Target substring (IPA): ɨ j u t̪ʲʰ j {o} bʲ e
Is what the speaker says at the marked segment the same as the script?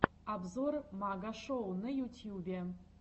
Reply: no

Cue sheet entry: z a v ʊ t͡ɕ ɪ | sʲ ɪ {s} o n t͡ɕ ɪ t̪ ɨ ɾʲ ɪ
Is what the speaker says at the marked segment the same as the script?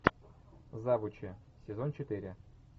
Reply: no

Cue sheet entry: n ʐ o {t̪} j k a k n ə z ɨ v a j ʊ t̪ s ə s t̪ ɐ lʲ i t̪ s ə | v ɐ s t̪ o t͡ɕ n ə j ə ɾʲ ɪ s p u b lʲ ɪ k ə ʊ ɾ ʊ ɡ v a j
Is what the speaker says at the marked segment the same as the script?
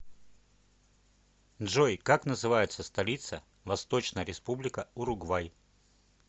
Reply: no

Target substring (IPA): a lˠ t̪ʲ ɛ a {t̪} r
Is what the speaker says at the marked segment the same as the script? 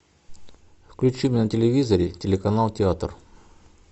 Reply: yes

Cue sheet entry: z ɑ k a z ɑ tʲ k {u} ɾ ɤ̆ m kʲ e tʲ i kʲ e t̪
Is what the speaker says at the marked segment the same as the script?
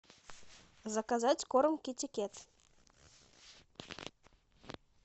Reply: no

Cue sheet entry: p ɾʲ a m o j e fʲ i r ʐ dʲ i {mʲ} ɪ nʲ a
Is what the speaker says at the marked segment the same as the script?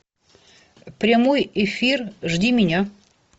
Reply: yes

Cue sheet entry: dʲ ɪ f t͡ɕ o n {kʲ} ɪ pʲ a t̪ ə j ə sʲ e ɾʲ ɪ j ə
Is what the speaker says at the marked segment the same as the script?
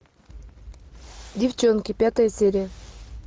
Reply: yes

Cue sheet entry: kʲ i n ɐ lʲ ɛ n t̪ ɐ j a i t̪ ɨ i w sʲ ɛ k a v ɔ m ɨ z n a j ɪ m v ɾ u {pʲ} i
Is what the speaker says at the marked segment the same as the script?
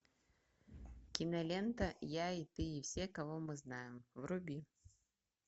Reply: no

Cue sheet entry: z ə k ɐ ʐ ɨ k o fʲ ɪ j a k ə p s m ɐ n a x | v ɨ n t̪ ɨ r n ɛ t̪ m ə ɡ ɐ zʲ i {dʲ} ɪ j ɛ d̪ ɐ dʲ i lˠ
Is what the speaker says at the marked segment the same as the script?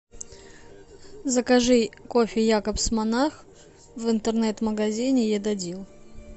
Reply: no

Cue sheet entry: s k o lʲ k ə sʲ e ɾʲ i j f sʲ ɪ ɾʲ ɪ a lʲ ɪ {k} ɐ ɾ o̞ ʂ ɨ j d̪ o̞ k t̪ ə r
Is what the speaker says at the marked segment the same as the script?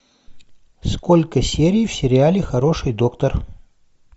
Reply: no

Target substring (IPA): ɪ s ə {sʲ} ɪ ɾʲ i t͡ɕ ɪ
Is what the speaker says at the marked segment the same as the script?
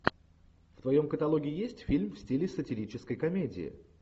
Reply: no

